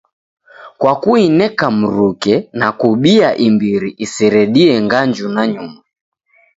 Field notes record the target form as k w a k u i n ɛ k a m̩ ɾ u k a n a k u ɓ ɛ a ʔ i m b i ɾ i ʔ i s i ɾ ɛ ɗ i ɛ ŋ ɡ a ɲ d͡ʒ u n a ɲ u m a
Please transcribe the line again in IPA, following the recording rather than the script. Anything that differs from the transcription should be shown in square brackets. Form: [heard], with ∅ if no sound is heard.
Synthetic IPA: k w a k u i n ɛ k a m̩ ɾ u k [ɛ] n a k u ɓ [i] a ʔ i m b i ɾ i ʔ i s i ɾ ɛ ɗ i ɛ ŋ ɡ a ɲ d͡ʒ u n a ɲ u m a